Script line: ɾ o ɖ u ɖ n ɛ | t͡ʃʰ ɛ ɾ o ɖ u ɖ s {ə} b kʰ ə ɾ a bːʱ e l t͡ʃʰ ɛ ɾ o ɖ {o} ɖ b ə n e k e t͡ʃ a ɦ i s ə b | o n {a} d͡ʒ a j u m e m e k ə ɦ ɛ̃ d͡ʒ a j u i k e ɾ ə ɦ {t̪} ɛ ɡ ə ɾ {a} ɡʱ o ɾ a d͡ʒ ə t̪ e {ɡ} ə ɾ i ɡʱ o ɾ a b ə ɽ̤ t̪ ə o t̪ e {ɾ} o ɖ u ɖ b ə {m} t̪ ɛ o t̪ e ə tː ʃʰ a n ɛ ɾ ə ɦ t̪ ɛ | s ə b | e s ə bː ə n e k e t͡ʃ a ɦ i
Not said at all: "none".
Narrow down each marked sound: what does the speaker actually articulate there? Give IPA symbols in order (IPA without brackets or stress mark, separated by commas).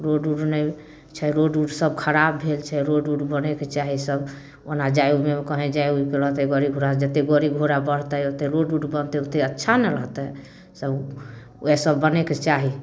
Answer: ə, u, a, t̪, i, ɡ, ɾ, n